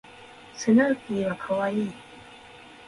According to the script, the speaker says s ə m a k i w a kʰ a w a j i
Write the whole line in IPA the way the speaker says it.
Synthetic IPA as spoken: s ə n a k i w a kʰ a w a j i